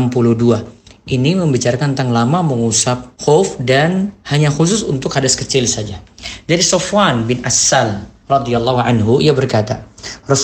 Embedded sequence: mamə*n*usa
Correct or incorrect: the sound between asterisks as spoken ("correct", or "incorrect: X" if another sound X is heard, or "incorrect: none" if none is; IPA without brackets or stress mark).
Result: incorrect: ŋ